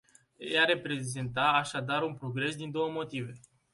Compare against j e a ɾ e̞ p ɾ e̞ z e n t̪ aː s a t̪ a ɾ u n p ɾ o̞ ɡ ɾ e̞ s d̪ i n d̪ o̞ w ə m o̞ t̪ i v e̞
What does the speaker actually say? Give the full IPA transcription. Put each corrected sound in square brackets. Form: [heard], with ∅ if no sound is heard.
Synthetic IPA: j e a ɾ e̞ p ɾ e̞ z e n t̪ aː [ʃ] a [d̪] a ɾ u n p ɾ o̞ ɡ ɾ e̞ s d̪ i n d̪ o̞ w ə m o̞ t̪ i v e̞